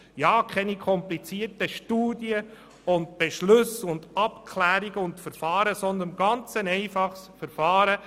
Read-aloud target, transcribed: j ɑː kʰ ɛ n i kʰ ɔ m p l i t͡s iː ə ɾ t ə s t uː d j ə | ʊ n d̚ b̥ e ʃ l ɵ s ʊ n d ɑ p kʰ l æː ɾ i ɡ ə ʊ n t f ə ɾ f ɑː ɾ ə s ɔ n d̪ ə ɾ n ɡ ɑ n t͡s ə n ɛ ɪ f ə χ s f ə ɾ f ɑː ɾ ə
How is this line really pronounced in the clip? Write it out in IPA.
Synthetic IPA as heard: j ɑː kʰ ɛ n i kʰ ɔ m p l i t͡s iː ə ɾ t ə ʃ t uː d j ə | ʊ n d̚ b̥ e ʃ l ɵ s ʊ n d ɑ p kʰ l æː ɾ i ɡ ə ʊ n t f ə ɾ f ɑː ɾ ə s ɔ n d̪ ə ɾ n ɡ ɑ n t͡s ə n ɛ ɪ f ɑ χ s f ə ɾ f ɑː ɾ ə